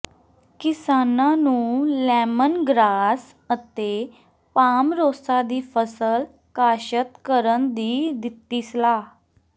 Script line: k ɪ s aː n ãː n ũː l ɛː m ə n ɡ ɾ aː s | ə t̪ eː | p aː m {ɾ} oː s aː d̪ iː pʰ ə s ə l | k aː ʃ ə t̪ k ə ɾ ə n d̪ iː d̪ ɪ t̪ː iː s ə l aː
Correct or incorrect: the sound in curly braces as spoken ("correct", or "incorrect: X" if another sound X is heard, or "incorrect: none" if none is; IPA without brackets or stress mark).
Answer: correct